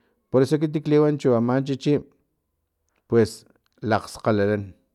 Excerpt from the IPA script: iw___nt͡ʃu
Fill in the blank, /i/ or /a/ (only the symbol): a